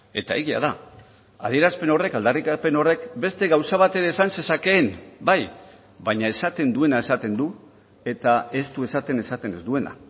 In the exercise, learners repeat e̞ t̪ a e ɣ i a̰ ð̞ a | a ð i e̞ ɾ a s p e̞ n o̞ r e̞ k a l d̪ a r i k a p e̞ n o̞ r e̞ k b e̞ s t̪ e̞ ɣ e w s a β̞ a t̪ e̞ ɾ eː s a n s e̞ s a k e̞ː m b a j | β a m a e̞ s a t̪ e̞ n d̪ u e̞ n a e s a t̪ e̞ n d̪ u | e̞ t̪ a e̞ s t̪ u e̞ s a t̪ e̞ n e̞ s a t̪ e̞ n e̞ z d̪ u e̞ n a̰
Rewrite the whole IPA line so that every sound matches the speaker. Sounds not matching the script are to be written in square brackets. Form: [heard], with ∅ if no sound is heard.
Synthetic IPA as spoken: e̞ t̪ a e ɣ i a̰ ð̞ a | a ð i e̞ ɾ a s p e̞ n o̞ r e̞ k a l d̪ a r i k a p e̞ n o̞ r e̞ k b e̞ s t̪ e̞ ɣ [a] w s a β̞ a t̪ e̞ ɾ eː s a n s e̞ s a k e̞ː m b a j | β a [ɲ] a e̞ s a t̪ e̞ n d̪ u e̞ n a e s a t̪ e̞ n d̪ u | e̞ t̪ a e̞ s t̪ u e̞ s a t̪ e̞ n e̞ s a t̪ e̞ n e̞ z d̪ u e̞ n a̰